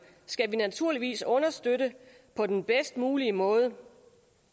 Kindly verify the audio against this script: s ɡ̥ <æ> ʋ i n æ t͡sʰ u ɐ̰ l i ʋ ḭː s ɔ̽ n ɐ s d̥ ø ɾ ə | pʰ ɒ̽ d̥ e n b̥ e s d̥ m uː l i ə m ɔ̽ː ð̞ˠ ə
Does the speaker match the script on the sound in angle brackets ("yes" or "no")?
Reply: yes